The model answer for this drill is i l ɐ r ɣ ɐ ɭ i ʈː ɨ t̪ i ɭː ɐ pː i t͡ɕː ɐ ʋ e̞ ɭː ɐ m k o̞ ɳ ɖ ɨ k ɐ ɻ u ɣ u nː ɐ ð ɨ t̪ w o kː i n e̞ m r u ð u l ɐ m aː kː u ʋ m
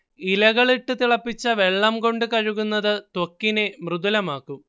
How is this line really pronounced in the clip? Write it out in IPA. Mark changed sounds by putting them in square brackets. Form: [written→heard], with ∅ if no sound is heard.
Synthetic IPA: i l ɐ [r→∅] ɣ ɐ ɭ i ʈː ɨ t̪ i [ɭː→ɭ] ɐ pː i t͡ɕː ɐ ʋ e̞ ɭː ɐ m k o̞ ɳ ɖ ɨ k ɐ ɻ u ɣ u nː ɐ ð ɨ t̪ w o kː i n e̞ m r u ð u l ɐ m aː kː u [ʋ→∅] m